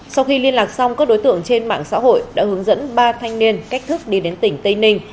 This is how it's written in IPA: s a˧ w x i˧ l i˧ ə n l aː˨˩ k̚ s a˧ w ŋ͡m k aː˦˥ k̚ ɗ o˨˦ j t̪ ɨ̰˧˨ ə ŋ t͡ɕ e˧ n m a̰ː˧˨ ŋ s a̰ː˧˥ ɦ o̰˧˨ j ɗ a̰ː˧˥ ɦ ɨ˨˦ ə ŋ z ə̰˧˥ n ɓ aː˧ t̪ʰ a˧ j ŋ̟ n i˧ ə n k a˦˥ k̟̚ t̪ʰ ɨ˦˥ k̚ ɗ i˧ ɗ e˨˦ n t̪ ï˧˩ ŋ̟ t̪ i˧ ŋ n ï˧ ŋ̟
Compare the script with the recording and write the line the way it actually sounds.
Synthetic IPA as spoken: s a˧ w x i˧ l i˧ ə n l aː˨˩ k̚ s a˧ w ŋ͡m k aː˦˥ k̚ ɗ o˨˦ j t̪ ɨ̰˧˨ ə ŋ t͡ɕ e˧ n m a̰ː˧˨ ŋ s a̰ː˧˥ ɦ o̰˧˨ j ɗ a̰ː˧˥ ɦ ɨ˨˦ ə ŋ z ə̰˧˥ n ɓ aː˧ t̪ʰ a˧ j ŋ̟ n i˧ ə n k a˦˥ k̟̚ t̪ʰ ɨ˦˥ k̚ ɗ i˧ ɗ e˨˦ n t̪ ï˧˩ ŋ̟ t̪ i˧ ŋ n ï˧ ŋ̟